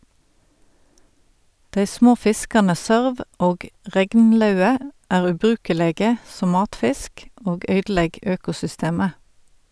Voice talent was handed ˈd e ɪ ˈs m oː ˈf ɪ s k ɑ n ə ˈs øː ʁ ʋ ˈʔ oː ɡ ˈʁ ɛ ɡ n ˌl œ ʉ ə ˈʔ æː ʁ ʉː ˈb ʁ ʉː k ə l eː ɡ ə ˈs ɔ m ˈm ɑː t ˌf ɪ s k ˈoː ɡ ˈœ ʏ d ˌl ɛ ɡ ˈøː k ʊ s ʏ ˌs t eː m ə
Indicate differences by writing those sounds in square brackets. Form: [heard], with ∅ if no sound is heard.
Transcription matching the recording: ˈd e ɪ ˈs m oː ˈf ɪ s k ɑ n ə ˈs øː ʁ ʋ ˈʔ oː ɡ ˈʁ ɛ ɡ n ˌl œ ʉ ə ˈʔ æː ʁ ʉː ˈb ʁ ʉː k ə l eː ɡ ə ˈs ɔ m ˈm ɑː t ˌf ɪ s k ˈoː ɡ ˈœ ʏ d ˌl ɛ ɡ ˈøː k ʊ s ʏ ˌs t eː m ə